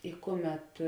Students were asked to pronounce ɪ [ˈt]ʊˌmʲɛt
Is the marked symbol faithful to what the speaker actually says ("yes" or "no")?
no